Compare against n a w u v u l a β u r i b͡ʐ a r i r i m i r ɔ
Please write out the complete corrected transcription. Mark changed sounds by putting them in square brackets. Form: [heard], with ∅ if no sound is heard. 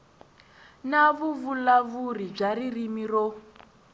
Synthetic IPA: n a [β] u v u l a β u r i b͡ʐ a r i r i m i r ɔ